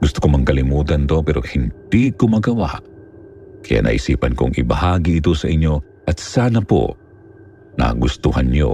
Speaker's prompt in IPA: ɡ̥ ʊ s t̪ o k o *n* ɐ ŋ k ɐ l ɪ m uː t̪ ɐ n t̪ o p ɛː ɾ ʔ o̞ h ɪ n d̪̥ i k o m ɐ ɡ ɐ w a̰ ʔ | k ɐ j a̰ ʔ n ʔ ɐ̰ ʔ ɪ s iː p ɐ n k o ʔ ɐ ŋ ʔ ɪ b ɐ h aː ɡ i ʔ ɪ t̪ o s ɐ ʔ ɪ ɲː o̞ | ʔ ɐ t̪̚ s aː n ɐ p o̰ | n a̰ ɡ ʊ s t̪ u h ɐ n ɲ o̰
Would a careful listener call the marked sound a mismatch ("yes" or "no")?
yes